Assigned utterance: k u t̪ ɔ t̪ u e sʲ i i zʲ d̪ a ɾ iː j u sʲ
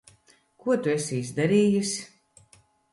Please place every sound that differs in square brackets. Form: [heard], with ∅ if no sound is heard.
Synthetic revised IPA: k u [∅] ɔ t̪ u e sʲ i i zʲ d̪ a ɾ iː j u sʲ